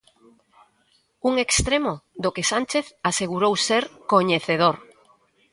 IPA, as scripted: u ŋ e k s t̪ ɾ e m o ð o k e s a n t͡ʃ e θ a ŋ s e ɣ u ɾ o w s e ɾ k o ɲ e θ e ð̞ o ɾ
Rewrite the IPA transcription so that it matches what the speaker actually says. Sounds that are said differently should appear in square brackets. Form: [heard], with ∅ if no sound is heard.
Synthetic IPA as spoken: u ŋ e k s t̪ ɾ e m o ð o k e s a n t͡ʃ e θ a [∅] s e ɣ u ɾ o w s e ɾ k o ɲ e θ e ð̞ o ɾ